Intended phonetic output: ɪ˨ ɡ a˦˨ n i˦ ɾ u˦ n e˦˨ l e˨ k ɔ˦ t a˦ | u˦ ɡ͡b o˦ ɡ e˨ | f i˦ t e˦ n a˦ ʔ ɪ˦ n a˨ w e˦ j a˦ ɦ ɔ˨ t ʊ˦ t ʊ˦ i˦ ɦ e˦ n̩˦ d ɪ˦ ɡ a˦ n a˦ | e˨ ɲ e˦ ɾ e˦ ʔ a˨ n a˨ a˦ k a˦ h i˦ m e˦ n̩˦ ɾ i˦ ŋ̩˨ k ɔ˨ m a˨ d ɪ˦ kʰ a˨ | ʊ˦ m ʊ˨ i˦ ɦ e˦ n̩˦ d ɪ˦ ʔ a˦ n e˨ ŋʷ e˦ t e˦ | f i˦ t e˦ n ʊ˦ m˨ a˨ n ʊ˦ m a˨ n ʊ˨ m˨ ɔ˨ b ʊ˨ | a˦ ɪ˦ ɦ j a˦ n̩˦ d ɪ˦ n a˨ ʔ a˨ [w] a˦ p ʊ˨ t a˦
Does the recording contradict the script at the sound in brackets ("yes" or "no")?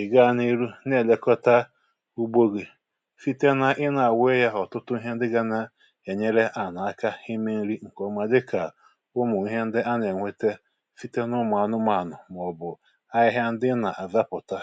yes